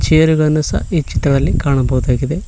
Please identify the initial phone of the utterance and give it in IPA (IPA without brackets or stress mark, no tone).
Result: t͡ʃ